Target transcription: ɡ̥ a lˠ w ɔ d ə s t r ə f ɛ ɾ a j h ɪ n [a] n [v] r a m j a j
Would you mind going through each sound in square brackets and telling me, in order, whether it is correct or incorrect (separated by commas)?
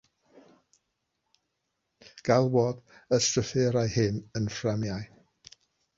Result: incorrect, incorrect